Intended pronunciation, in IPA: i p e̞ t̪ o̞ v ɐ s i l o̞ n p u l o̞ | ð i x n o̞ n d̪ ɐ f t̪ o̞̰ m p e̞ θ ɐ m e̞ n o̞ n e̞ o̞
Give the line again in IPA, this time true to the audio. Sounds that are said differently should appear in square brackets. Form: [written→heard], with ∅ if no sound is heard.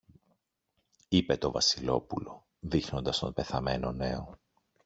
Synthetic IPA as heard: i p e̞ t̪ o̞ v ɐ s i l o̞ [n→∅] p u l o̞ | ð i x n o̞ n d̪ ɐ [f→s] t̪ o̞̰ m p e̞ θ ɐ m e̞ n o̞ n e̞ o̞

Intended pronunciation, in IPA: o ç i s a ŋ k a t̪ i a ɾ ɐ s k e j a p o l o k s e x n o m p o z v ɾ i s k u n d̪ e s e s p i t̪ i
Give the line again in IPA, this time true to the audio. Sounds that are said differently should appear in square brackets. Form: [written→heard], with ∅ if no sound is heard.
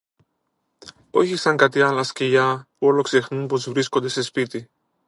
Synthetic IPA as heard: o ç i s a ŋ k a t̪ i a [ɾ→l] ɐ s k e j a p o l o k s e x n [o→u] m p o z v ɾ i s k [u→o] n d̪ e s e s p i t̪ i

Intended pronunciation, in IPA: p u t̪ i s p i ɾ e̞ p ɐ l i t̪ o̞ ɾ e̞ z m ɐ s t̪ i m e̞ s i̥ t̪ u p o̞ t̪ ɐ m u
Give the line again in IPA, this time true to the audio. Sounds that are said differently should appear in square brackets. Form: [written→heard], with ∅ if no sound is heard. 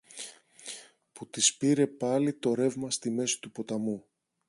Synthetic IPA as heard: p u t̪ i s p i ɾ e̞ p ɐ l i t̪ o̞ ɾ e̞ [z→v] m ɐ s t̪ i m e̞ s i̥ t̪ u p o̞ t̪ ɐ m u

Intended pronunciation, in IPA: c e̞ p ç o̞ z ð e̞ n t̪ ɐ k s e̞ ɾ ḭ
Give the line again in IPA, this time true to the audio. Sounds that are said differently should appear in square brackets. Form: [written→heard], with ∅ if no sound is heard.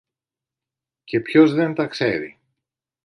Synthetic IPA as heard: c e̞ p ç o̞ z ð e̞ n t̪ ɐ k s e̞ ɾ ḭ

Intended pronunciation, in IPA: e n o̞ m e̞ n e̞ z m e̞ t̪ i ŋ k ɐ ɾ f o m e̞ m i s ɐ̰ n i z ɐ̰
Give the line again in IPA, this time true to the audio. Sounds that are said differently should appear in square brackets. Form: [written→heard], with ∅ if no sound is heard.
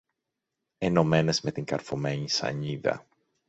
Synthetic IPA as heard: e n o̞ m e̞ n e̞ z m e̞ t̪ i ŋ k ɐ ɾ f o m e̞ [m→ɲ] i s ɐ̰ [n→ɲ] i [z→ð] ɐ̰

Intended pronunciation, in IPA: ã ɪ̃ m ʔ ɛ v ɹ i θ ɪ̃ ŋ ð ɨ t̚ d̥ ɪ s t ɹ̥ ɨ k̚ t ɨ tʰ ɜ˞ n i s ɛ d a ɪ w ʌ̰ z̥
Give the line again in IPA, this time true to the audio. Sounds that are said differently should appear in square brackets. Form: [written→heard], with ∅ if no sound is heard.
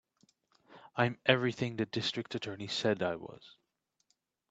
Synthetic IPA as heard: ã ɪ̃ m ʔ ɛ v ɹ i θ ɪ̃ ŋ ð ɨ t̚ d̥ ɪ s t ɹ̥ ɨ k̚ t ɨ tʰ ɜ˞ n i s ɛ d a ɪ w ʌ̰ z̥

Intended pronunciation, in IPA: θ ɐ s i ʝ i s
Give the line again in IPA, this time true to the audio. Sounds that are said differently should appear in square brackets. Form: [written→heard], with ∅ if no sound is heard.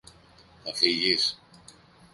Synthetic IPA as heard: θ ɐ [s→f] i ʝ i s

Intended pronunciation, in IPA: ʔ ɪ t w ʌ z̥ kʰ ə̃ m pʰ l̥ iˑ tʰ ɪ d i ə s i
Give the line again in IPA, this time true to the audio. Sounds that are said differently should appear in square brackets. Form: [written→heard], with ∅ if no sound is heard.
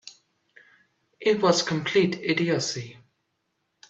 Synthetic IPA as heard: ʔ ɪ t w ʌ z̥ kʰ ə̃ m pʰ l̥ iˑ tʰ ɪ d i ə s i

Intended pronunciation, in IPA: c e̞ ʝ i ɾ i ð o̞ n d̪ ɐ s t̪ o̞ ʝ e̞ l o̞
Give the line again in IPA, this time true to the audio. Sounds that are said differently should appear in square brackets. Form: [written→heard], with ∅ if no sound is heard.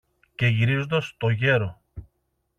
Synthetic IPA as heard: c e̞ ʝ i ɾ i [ð→z] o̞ n d̪ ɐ s t̪ o̞ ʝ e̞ [l→ɾ] o̞

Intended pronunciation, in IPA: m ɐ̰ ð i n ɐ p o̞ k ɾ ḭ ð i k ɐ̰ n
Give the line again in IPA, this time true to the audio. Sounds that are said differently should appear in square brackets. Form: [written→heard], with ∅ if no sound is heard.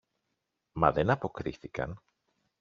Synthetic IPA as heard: m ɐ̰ ð [i→e] n ɐ p o̞ k ɾ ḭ [ð→θ] i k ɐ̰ n

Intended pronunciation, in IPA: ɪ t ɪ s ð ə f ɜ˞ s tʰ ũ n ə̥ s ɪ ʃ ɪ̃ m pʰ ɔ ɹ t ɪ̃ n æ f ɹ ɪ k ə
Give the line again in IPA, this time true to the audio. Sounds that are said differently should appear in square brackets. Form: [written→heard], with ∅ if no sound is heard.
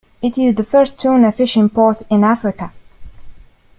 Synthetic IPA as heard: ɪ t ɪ [s→z] ð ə f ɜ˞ s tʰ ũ n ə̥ [s→f] ɪ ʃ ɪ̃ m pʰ ɔ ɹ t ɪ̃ n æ f ɹ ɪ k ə

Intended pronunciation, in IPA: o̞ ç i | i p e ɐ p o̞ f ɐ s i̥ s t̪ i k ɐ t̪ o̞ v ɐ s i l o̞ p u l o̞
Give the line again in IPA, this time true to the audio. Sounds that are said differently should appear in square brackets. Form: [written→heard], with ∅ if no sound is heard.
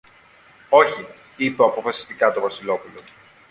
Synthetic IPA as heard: o̞ ç i | i p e ɐ p o̞ f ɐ s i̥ s t̪ i k ɐ t̪ o̞ v ɐ s i l o̞ p u l o̞

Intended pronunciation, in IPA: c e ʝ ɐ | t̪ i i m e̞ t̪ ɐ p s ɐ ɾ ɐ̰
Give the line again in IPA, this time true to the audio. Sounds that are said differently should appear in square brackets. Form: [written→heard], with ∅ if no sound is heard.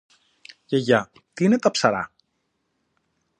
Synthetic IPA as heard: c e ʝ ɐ | t̪ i i [m→n] e̞ t̪ ɐ p s ɐ ɾ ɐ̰

